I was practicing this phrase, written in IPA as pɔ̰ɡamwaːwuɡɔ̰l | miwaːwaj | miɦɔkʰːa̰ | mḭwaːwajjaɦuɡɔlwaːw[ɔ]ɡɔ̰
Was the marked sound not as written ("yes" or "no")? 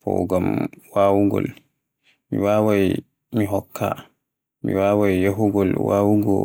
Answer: yes